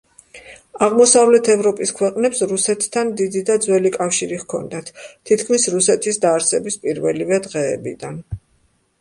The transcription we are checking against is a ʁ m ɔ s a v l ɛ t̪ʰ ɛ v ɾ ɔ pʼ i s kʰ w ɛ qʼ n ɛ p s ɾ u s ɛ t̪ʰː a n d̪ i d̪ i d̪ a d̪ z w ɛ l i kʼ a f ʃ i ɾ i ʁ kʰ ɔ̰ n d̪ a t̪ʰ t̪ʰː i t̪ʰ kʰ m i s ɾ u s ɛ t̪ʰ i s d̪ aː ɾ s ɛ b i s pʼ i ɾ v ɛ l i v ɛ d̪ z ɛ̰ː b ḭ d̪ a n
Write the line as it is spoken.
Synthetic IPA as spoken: a ʁ m ɔ s a v l ɛ t̪ʰ ɛ v ɾ ɔ pʼ i s kʰ w ɛ qʼ n ɛ p s ɾ u s ɛ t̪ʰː a n d̪ i d̪ i d̪ a d̪ z w ɛ l i kʼ a f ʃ i ɾ i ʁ kʰ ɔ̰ n d̪ a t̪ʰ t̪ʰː i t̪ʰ kʰ m i s ɾ u s ɛ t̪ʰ i s d̪ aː ɾ s ɛ b i s pʼ i ɾ v ɛ l i v ɛ d̪ ʁ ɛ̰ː b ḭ d̪ a n